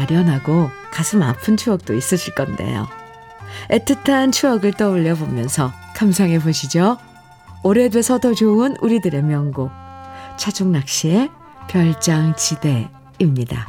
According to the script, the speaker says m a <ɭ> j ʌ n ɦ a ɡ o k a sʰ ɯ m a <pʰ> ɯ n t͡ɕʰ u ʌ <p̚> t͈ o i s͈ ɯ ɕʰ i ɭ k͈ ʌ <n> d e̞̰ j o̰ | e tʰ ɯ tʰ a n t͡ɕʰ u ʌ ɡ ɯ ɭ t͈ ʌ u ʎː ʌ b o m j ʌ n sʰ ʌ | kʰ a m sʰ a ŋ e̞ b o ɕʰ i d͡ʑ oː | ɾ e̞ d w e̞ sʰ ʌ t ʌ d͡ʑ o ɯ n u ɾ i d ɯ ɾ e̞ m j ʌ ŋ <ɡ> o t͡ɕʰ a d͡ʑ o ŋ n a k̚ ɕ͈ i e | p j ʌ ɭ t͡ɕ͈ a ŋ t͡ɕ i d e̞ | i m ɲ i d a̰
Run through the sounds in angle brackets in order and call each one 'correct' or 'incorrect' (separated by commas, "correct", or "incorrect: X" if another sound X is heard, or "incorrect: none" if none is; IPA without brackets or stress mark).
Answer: incorrect: ɾ, correct, incorrect: k̚, correct, correct